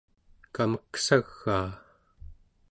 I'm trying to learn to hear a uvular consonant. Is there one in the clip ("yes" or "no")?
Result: no